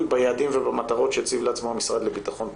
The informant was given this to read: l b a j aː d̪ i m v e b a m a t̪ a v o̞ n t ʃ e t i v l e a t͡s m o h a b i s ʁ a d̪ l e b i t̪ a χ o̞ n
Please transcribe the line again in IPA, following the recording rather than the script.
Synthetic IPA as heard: l b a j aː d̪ i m v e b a m a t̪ a ʁ o̞ t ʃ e t͡s i v l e a t͡s m o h a m i s ʁ a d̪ l e b i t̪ a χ o̞ n